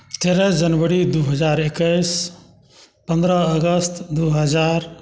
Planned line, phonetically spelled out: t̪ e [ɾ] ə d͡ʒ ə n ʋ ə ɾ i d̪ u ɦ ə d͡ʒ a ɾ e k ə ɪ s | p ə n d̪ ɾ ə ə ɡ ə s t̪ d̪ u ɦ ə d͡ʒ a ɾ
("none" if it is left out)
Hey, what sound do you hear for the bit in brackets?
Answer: ɾ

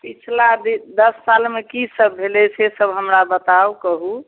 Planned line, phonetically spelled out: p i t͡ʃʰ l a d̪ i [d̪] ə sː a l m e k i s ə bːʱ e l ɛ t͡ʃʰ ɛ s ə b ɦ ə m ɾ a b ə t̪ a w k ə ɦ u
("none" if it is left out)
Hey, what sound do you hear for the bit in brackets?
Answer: d̪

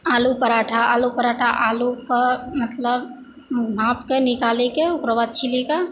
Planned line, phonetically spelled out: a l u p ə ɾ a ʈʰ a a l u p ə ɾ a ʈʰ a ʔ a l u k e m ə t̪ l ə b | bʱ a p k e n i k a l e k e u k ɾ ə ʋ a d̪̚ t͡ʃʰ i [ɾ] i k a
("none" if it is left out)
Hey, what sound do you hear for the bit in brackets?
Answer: l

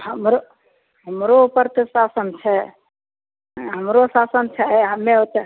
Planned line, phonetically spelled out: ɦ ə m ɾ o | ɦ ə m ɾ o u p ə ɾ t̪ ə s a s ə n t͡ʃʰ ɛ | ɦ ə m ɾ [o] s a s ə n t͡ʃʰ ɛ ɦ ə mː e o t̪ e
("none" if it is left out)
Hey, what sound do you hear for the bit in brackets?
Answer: o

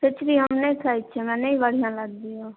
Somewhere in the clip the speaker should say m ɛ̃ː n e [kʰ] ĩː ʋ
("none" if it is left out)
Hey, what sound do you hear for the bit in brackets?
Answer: none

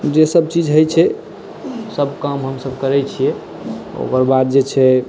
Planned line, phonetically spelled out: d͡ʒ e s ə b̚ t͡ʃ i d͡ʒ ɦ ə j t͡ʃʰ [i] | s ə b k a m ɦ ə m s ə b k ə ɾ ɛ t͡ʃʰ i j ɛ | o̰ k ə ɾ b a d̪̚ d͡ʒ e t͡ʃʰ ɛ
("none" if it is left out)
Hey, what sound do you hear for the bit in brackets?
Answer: ɛ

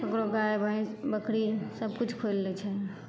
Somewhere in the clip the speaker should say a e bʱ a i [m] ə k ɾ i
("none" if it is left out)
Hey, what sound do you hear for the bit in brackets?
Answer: b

